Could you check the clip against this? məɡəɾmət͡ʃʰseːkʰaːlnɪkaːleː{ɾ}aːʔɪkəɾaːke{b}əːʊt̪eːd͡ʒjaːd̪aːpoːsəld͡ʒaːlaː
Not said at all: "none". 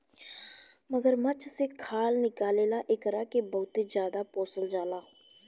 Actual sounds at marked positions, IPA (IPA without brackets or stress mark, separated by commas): l, b